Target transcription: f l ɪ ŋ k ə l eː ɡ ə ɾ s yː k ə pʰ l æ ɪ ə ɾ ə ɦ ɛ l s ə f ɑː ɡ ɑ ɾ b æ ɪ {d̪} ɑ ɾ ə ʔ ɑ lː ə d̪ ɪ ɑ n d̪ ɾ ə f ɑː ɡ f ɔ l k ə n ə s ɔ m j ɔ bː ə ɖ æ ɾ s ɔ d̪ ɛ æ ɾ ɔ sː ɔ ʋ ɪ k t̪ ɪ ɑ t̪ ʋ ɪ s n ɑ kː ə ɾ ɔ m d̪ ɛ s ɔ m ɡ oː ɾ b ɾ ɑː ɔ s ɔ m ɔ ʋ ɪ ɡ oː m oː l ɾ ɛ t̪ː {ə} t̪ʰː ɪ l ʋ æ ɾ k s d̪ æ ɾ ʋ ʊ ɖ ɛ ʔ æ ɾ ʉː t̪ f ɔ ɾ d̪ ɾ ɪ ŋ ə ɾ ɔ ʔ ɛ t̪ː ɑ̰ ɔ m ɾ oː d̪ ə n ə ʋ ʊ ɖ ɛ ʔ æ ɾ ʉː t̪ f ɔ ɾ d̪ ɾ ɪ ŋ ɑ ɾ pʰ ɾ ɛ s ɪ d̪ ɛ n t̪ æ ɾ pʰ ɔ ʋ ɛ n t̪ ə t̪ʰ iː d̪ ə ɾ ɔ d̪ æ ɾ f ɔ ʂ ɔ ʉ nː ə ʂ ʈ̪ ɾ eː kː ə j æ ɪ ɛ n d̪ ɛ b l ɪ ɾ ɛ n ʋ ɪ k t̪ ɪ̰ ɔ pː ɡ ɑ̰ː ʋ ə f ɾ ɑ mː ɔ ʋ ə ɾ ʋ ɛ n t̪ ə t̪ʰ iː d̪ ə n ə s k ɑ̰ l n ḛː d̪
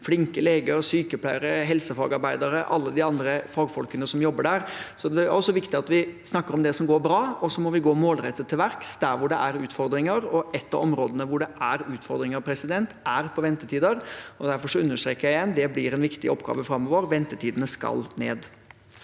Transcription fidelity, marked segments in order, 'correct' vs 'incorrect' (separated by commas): correct, correct